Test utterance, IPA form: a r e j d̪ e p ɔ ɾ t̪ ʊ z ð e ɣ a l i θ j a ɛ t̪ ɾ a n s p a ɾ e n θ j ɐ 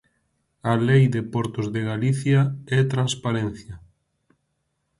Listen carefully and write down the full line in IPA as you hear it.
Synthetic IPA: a l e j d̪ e p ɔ ɾ t̪ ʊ z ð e ɣ a l i θ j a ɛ t̪ ɾ a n s p a ɾ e n θ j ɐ